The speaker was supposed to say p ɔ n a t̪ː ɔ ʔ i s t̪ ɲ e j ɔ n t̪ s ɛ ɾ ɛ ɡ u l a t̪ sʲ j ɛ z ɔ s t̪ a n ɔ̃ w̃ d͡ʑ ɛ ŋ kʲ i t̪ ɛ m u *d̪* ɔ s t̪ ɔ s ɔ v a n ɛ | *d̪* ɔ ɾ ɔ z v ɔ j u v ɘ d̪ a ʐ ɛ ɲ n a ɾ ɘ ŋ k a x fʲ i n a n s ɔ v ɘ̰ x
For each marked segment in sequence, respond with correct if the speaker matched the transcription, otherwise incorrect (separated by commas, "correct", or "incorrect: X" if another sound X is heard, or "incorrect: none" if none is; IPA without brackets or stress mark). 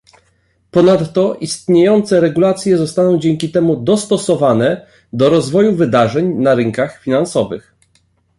correct, correct